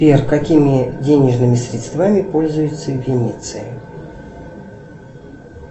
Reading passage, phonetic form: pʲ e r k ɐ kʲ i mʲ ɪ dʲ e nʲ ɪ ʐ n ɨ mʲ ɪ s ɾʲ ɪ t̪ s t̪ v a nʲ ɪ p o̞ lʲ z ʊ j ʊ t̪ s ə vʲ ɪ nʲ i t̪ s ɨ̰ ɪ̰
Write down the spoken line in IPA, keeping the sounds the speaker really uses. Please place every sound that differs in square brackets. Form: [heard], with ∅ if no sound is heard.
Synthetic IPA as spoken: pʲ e r k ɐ kʲ i mʲ ɪ dʲ e nʲ ɪ ʐ n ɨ mʲ ɪ s ɾʲ ɪ t̪ s t̪ v a [mʲ] ɪ p o̞ lʲ z ʊ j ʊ t̪ s ə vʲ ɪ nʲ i t̪ s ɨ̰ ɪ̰

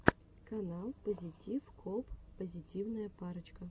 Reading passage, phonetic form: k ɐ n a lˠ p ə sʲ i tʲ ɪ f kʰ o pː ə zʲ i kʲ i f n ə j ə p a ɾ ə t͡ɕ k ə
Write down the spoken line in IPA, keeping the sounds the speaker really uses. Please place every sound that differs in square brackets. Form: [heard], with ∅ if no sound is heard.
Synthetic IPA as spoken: k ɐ n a lˠ p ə [zʲ] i tʲ [i] f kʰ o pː ə zʲ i [tʲ] i [v] n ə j ə p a ɾ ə t͡ɕ k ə

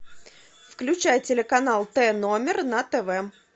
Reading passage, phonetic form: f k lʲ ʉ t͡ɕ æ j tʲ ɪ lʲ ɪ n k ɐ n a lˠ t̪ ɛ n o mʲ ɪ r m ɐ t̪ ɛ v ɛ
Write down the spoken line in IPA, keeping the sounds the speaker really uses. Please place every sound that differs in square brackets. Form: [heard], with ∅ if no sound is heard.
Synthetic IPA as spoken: f k lʲ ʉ t͡ɕ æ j tʲ ɪ lʲ ɪ [∅] k ɐ n a lˠ t̪ ɛ n o mʲ ɪ r [n] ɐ t̪ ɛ v ɛ

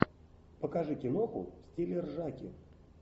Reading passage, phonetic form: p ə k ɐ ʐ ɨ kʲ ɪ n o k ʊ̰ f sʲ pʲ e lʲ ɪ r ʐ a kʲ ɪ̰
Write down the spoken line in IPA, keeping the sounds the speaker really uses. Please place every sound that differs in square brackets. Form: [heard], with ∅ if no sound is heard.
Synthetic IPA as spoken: p ə k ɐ ʐ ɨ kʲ ɪ n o [x] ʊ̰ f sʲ [tʲ] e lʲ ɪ r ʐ a kʲ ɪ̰

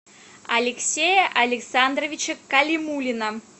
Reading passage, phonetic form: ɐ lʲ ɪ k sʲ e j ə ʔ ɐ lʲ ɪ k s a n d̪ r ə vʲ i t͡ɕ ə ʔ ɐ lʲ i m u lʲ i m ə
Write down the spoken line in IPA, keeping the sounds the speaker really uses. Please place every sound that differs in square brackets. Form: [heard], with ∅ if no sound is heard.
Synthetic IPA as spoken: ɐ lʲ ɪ k sʲ e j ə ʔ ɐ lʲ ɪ k s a n d̪ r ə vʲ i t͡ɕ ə [k] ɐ lʲ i m u lʲ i [n] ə

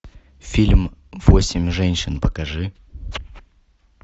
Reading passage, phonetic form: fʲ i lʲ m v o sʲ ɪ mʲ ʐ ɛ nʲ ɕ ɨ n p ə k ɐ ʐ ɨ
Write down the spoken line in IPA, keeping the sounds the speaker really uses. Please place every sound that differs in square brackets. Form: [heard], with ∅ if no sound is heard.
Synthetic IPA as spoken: fʲ i lʲ m v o sʲ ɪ mʲ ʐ ɛ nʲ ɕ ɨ n p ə k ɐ ʐ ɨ

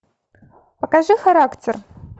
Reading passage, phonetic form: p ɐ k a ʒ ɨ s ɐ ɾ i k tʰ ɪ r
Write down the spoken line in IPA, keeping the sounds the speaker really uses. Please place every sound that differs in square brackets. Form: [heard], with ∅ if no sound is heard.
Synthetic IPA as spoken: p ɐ k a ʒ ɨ [x] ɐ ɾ [a] k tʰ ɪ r

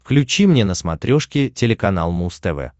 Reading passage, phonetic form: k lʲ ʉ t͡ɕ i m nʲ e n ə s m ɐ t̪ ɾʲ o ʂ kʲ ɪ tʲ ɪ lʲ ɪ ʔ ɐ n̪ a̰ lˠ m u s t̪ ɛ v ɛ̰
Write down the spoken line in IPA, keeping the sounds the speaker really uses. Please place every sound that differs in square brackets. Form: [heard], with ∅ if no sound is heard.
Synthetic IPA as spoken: k lʲ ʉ t͡ɕ i m nʲ e n ə s m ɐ t̪ ɾʲ o ʂ kʲ ɪ tʲ ɪ lʲ ɪ [k] ɐ n̪ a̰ lˠ m u s t̪ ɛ v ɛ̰

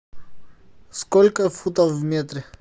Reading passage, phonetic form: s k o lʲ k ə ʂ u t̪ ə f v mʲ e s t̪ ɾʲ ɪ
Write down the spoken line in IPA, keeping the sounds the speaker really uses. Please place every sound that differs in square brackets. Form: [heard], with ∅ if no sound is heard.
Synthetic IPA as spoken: s k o lʲ k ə [f] u t̪ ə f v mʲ e [∅] t̪ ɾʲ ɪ

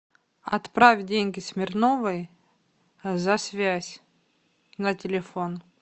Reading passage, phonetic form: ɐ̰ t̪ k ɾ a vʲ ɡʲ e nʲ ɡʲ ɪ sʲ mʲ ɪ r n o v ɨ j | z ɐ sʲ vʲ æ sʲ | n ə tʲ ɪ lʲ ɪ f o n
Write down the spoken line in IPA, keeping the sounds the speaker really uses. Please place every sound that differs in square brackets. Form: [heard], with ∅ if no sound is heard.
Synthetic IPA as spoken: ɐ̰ t̪ [p] ɾ a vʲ [dʲ] e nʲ ɡʲ ɪ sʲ mʲ ɪ r n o v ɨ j | z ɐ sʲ vʲ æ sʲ | n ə tʲ ɪ lʲ ɪ f o n

